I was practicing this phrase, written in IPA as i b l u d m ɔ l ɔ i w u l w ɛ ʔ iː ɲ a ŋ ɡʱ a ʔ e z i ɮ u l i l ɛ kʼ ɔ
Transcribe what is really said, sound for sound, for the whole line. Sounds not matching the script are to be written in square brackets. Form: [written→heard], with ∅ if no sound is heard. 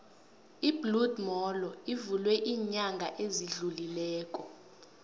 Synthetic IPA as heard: i b l u d m ɔ l ɔ i [w→v] u l w ɛ ʔ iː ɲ a ŋ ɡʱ a ʔ e z i ɮ u l i l [ɛ→ɛː] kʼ ɔ